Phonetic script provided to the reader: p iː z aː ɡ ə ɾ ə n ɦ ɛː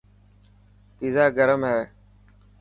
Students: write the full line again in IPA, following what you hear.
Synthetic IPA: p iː z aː ɡ ə ɾ ə m ɦ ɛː